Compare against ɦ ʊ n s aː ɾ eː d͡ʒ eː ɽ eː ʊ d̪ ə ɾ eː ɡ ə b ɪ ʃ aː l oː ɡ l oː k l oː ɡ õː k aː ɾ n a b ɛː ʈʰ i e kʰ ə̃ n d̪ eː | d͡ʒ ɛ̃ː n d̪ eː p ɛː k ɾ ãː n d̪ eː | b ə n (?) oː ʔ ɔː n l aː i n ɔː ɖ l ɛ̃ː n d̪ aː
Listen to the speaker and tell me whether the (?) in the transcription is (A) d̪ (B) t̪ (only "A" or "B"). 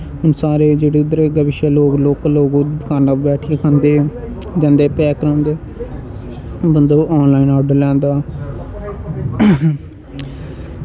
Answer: A